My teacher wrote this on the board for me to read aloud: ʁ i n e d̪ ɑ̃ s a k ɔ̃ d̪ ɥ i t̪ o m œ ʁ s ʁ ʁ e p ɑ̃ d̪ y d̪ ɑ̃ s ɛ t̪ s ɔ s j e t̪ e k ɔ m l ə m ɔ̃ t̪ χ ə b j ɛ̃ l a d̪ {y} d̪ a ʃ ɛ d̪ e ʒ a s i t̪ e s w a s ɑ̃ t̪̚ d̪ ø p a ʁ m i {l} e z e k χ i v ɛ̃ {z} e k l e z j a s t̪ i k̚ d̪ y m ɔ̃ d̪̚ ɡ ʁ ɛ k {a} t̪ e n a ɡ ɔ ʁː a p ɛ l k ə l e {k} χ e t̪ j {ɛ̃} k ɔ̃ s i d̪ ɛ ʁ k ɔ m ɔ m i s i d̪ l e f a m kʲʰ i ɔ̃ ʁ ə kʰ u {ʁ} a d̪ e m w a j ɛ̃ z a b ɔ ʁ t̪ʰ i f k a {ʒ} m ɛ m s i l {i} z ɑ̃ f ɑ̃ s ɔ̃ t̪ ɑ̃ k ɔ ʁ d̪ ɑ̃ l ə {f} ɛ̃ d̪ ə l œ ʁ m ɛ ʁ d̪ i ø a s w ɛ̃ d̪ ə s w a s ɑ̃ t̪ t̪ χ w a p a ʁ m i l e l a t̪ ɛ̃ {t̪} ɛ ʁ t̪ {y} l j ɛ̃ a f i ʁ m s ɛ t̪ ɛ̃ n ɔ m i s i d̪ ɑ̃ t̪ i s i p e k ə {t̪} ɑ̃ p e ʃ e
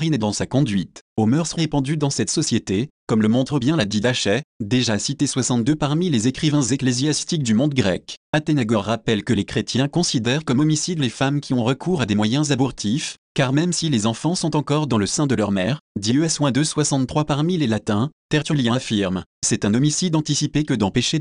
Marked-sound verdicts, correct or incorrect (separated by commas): incorrect, correct, correct, correct, correct, correct, correct, incorrect, incorrect, incorrect, correct, correct, incorrect